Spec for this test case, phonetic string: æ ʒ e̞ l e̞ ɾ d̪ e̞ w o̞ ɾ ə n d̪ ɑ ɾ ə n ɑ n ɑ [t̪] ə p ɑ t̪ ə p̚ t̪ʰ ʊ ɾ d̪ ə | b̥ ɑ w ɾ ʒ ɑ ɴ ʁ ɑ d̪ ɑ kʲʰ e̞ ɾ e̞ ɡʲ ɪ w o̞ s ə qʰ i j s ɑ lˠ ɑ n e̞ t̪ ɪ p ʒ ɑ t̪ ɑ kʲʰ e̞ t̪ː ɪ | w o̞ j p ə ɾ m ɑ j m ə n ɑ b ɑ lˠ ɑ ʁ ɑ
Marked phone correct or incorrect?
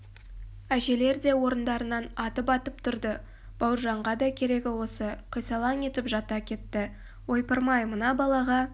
correct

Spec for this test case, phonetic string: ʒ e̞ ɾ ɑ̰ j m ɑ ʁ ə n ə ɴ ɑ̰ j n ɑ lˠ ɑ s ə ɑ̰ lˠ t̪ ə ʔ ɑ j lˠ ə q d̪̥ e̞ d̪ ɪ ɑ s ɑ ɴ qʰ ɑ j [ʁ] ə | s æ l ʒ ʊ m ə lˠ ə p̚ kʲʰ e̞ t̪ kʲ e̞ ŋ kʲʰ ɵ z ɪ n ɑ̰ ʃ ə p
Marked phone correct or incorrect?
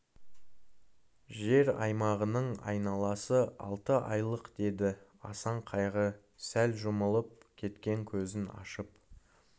correct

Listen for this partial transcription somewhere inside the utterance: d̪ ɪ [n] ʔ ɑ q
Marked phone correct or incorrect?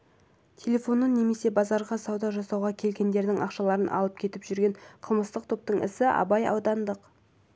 incorrect: ŋ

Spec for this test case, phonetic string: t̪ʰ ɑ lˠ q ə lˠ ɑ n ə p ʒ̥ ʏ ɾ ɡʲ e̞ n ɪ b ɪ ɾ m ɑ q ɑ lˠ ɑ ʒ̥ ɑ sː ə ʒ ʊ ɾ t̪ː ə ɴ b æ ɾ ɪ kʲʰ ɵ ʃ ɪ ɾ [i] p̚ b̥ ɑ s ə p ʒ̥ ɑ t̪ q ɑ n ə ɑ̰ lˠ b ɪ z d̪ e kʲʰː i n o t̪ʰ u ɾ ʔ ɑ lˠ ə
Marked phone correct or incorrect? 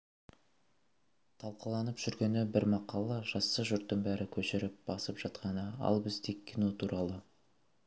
incorrect: ɪ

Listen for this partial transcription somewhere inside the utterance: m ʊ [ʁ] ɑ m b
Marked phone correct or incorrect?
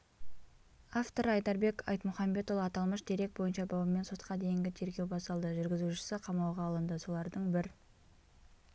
incorrect: χ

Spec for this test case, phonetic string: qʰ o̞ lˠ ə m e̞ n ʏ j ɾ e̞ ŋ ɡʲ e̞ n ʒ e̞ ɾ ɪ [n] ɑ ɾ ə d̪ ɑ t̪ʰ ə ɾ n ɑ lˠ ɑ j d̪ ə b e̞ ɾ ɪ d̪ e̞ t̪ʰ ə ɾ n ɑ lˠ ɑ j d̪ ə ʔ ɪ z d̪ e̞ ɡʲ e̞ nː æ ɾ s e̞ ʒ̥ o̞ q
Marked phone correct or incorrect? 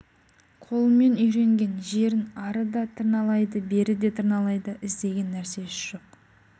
correct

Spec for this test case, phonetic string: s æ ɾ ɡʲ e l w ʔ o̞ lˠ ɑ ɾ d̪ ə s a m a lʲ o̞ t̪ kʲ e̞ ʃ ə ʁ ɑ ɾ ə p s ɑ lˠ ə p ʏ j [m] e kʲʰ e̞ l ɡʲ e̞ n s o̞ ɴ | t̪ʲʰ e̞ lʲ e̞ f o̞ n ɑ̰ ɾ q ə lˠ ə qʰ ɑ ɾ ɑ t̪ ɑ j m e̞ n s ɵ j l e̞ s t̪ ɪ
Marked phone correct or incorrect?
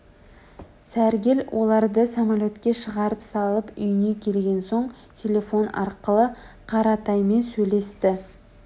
incorrect: n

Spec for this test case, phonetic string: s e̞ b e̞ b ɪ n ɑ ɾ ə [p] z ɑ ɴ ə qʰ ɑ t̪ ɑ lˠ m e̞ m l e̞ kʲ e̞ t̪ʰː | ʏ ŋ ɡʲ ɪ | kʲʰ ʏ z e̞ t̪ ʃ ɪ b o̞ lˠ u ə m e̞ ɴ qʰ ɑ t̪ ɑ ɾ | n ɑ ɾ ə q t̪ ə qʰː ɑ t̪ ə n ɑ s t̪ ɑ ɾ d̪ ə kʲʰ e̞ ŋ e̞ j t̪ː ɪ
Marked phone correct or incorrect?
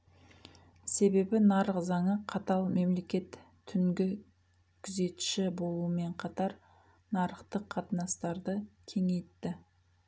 incorrect: q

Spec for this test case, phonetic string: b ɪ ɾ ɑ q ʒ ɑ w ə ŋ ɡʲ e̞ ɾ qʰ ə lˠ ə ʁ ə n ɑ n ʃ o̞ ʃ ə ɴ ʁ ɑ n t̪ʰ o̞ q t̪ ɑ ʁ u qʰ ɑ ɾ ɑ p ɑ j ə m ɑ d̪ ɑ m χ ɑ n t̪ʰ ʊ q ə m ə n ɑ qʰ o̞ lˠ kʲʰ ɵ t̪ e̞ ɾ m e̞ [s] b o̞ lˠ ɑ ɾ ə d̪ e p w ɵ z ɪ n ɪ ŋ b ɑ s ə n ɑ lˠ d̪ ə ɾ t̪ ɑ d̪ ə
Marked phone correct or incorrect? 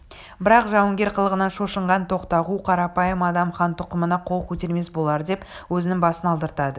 correct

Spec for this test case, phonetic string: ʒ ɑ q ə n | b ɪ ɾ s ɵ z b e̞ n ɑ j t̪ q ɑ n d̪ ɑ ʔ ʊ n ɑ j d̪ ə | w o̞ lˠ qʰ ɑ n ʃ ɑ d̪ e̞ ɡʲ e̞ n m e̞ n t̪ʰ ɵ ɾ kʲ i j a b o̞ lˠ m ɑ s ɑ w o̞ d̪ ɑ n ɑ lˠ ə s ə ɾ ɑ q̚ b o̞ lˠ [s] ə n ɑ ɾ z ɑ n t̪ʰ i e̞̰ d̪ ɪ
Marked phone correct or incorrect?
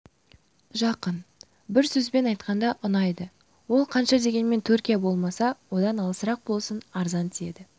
correct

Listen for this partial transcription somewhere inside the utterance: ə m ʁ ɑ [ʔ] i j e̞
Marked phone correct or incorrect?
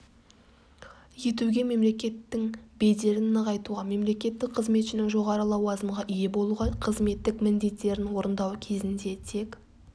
correct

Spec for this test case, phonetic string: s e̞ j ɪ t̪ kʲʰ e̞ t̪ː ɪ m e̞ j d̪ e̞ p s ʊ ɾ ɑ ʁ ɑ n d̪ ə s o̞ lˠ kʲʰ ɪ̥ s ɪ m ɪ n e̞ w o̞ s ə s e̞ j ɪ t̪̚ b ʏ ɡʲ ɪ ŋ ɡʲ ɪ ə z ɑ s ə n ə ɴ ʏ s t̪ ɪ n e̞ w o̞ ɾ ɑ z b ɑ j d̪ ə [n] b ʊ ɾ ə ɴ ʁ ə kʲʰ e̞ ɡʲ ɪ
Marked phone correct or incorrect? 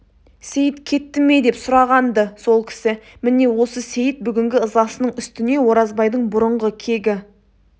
incorrect: ɴ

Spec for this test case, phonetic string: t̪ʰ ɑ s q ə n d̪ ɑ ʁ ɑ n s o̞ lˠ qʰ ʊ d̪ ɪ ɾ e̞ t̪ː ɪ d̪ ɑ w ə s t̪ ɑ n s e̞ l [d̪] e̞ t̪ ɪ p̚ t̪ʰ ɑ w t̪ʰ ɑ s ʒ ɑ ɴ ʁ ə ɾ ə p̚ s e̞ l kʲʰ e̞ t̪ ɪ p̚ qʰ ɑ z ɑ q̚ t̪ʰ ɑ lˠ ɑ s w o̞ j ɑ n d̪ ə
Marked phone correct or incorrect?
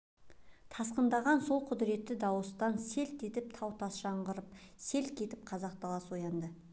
incorrect: t̪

